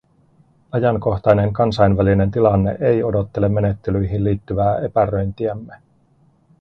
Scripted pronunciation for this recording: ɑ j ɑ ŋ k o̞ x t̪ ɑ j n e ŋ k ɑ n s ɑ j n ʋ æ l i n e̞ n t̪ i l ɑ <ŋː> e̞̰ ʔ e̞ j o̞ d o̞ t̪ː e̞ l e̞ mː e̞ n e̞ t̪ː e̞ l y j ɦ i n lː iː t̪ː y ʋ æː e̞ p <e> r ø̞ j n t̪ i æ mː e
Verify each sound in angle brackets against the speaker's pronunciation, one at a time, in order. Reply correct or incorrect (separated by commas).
incorrect, incorrect